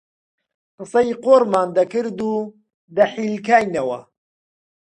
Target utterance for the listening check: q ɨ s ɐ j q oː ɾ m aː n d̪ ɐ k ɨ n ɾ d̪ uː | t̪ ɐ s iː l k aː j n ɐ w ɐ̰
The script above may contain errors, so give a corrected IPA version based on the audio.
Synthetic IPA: q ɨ s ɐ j q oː ɾ m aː n d̪ ɐ k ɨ ɾ d̪ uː | d̪ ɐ ħ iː l k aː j n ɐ w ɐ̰